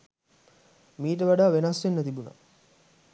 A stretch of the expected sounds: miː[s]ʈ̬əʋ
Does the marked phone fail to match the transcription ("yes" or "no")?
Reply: yes